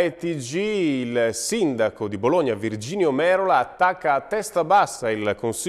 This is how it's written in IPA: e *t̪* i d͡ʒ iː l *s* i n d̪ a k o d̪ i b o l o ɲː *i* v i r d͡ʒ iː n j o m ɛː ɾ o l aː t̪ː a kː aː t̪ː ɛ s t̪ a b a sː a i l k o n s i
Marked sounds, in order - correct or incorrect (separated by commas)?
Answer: correct, correct, incorrect